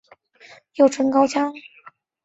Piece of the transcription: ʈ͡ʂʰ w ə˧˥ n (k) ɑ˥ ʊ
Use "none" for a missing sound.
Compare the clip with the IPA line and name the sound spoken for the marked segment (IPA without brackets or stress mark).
k